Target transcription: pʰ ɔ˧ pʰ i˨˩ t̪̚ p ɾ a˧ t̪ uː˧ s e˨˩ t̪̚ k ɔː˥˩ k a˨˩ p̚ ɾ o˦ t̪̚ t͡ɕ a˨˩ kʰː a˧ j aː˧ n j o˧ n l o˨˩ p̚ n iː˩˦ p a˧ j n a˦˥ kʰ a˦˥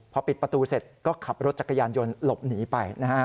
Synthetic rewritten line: pʰ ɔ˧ p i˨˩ t̪̚ p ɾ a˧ t̪ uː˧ s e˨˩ t̪̚ k ɔː˥˩ kʰ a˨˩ p̚ ɾ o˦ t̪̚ t͡ɕ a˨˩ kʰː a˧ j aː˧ n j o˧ n l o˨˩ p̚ n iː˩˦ p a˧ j n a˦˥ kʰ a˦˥